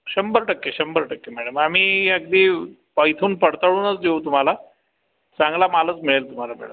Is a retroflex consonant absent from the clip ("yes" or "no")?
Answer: no